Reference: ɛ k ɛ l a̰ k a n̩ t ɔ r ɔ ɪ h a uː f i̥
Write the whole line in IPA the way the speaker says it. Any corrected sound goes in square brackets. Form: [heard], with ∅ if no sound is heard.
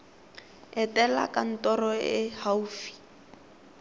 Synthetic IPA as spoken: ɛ [t] ɛ l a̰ k a n̩ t ɔ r ɔ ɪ h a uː f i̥